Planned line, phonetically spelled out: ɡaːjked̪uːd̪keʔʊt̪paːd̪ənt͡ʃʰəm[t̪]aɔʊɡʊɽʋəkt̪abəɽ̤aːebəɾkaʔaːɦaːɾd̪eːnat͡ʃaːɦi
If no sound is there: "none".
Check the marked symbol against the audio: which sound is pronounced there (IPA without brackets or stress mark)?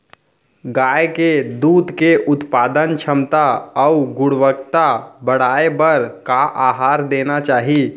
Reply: t̪